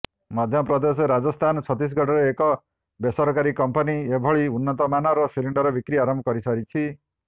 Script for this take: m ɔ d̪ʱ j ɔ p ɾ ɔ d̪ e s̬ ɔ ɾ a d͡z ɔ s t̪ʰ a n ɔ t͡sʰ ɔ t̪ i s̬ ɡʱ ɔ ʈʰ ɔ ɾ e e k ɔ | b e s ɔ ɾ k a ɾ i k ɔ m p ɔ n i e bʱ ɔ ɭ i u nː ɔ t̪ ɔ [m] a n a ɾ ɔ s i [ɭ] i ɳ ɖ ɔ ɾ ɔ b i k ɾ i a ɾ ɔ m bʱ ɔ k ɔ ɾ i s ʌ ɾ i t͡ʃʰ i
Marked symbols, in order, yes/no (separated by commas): yes, no